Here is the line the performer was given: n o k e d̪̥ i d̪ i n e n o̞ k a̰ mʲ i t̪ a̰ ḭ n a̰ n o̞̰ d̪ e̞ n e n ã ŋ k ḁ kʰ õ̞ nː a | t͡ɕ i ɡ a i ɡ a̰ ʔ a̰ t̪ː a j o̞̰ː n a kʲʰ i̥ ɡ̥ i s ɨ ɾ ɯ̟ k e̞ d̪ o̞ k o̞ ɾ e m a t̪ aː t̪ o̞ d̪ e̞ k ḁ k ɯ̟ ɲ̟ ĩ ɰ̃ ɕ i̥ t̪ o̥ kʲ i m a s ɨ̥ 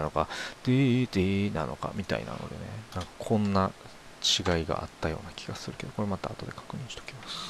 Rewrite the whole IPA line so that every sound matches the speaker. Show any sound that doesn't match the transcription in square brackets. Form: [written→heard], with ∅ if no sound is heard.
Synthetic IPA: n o k [e→a] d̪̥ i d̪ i n [e→a] n o̞ k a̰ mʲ i t̪ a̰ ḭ n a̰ n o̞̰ d̪ e̞ n e n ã ŋ k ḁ kʰ õ̞ nː a | t͡ɕ i ɡ a i ɡ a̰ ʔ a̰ t̪ː a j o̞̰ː n a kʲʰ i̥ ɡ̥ [i→a] s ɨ ɾ ɯ̟ k e̞ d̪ o̞ k o̞ ɾ e m a t̪ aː t̪ o̞ d̪ e̞ k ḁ k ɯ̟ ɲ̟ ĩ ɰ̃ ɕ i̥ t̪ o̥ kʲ i m a s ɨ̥